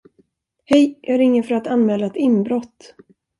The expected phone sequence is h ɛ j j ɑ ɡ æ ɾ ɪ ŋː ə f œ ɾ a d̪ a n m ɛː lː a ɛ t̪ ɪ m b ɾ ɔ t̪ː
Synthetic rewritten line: h ɛ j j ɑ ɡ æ ɾ ɪ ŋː ə f œ ɾ a t̪ a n m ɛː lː a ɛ t̪ ɪ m b ɾ ɔ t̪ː

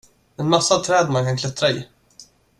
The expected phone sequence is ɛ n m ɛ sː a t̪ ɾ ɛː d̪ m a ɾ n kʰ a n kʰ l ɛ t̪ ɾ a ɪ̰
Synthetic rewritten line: ɛ n m a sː a t̪ʰ ɾ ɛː d̪ m a n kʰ a n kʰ l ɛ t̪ ɾ a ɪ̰

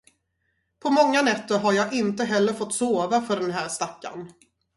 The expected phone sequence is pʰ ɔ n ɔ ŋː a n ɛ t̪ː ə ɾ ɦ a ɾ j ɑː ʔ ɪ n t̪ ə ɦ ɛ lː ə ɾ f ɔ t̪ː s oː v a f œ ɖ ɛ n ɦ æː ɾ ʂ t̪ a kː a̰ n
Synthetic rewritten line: pʰ ɔ m ɔ ŋː a n ɛ t̪ː ə ɾ ɦ a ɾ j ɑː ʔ ɪ n t̪ ə ɦ ɛ lː ə ɾ f ɔ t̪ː s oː v a f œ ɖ ɛ n ɦ æː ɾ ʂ t̪ a kː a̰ n

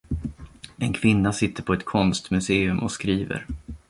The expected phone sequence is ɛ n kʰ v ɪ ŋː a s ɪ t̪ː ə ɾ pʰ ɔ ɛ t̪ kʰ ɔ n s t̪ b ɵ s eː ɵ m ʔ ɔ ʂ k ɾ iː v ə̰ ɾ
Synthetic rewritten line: ɛ n kʰ v ɪ nː a s ɪ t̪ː ə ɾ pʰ ɔ ɛ t̪ kʰ ɔ n s t̪ m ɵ s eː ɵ m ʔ ɔ s k ɾ iː v ə̰ ɾ

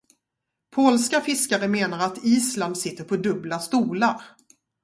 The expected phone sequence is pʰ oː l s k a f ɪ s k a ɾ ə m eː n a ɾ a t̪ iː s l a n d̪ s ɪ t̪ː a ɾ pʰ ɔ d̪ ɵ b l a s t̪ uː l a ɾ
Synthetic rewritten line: pʰ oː l s k a f ɪ s k a ɾ ə m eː n a ɾ a t̪ iː s l a n d̪ s ɪ t̪ː ə ɾ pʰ ɔ d̪ ɵ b l a s t̪ uː l a ɾ

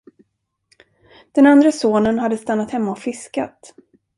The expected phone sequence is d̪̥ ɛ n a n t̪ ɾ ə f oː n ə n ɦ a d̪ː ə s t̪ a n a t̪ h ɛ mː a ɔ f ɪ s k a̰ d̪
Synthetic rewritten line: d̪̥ ɛ n a n d̪ ɾ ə s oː n ə n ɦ a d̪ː ə s t̪ a nː a t̪ h ɛ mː a ɔ f ɪ s k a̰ t̪

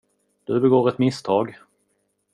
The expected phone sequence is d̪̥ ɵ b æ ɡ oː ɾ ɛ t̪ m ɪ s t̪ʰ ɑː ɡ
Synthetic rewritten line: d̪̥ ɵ b ɛ ɡ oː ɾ ɛ t̪ m ɪ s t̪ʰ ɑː ɡ

